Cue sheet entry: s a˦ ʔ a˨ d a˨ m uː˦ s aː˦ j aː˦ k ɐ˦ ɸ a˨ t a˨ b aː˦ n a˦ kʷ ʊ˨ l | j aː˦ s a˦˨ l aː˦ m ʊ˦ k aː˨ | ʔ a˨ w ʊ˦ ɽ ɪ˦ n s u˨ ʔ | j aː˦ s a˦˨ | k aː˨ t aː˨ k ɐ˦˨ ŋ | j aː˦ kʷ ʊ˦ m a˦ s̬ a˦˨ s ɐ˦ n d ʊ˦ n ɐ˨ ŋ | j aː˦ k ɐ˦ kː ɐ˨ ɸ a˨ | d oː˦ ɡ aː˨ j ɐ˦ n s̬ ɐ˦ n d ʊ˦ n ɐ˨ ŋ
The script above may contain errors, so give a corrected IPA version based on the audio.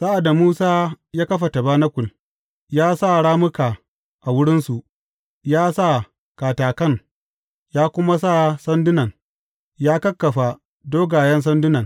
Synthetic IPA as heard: s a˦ ʔ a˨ d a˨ m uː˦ s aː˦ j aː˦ k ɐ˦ ɸ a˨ t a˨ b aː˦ n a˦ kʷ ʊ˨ l | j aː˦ s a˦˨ ɽ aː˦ m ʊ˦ k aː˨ | ʔ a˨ w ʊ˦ ɽ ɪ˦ n s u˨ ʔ | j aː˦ s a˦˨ | k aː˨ t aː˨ k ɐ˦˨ ŋ | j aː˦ kʷ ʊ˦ m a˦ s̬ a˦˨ s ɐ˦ n d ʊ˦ n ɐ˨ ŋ | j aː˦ k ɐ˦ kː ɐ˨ ɸ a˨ | d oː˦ ɡ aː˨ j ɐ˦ n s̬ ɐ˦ n d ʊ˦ n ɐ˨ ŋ